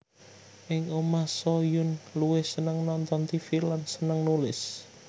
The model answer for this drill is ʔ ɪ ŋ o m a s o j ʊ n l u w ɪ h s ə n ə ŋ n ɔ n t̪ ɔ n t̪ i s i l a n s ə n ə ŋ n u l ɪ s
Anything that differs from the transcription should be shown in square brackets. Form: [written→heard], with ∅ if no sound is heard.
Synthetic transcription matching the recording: ʔ ɪ ŋ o m a s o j ʊ n l u w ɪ h s ə n ə ŋ n ɔ n t̪ ɔ n t̪ i [s→f] i l a n s ə n ə ŋ n u l ɪ s